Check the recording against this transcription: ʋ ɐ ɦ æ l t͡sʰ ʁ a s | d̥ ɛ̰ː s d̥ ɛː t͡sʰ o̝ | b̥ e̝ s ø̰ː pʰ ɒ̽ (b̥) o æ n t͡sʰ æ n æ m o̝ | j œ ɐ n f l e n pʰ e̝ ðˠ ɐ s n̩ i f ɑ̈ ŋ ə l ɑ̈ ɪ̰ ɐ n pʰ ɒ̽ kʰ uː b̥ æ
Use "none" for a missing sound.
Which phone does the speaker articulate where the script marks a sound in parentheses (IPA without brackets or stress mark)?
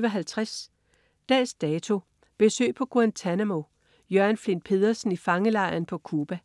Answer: ɡ̥